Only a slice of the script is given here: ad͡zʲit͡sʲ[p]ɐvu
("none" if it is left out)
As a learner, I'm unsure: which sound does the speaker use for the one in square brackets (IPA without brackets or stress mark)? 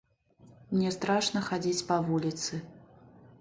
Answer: p